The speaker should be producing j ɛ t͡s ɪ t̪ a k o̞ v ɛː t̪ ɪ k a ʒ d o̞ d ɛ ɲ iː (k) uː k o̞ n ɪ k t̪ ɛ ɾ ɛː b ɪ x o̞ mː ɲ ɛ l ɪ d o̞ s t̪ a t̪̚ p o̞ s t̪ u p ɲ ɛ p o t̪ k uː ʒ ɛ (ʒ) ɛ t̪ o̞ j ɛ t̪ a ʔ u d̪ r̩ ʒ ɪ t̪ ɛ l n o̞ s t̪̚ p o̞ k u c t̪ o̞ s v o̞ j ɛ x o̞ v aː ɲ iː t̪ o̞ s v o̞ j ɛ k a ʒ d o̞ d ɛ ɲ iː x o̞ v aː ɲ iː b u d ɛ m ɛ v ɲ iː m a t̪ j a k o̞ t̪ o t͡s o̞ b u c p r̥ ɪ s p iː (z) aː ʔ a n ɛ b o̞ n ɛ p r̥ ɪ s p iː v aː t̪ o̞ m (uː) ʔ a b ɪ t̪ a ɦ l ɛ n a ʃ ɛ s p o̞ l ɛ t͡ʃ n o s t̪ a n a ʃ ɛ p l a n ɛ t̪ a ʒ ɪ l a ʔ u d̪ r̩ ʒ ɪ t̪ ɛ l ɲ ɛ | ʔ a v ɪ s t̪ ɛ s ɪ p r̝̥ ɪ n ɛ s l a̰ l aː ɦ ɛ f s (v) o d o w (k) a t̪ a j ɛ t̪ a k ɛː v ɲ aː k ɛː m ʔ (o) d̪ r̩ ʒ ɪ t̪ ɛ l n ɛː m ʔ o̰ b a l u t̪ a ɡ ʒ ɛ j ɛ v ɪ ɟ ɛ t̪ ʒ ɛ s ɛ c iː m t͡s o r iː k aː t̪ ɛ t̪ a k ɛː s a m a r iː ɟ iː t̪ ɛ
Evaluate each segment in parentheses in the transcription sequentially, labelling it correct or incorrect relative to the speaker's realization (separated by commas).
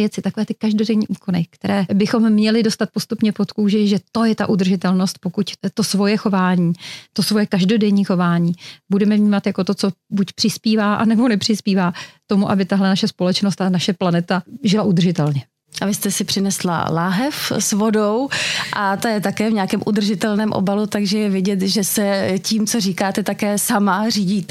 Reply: incorrect, correct, incorrect, incorrect, correct, incorrect, incorrect